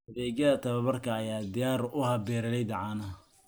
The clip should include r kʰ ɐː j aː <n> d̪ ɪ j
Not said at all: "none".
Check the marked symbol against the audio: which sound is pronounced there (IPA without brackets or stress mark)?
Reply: none